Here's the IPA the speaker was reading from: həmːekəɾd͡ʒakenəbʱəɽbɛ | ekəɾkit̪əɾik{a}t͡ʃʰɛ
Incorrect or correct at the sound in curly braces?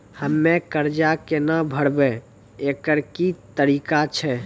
correct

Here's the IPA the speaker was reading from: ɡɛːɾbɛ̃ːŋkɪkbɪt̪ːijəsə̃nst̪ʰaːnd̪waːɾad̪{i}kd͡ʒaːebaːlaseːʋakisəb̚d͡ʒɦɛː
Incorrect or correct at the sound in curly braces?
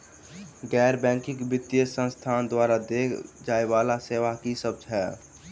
incorrect: e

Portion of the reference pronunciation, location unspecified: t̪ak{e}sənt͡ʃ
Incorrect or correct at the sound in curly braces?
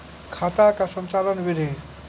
incorrect: a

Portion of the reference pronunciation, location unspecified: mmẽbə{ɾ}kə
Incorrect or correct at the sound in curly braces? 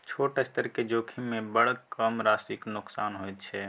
incorrect: ɽ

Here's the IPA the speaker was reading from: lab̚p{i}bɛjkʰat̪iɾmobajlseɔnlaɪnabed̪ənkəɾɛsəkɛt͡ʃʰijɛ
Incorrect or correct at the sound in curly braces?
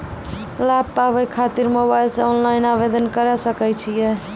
incorrect: a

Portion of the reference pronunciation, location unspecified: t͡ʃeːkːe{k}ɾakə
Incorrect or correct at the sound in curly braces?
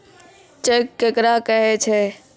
correct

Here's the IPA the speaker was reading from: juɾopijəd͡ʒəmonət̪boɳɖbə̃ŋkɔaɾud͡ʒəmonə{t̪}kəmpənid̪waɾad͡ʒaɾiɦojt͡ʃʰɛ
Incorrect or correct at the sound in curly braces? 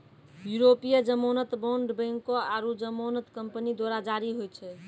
correct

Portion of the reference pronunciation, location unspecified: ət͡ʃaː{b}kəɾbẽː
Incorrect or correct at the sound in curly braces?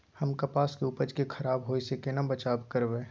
correct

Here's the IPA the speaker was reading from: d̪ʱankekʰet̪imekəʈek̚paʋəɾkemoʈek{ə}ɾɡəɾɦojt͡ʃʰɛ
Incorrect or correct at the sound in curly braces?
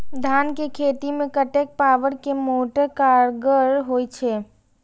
incorrect: a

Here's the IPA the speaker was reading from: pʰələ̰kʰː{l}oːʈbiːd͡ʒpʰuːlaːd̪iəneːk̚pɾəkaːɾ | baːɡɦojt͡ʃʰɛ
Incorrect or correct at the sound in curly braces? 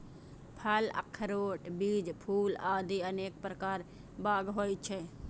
incorrect: ɾ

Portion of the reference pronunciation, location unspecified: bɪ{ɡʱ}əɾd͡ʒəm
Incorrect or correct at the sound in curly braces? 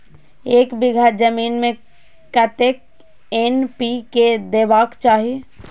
correct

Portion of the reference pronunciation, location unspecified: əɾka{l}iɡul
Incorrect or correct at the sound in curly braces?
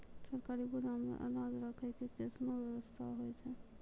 incorrect: ɾ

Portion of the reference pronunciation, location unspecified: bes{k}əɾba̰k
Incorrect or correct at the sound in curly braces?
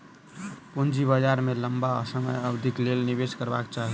correct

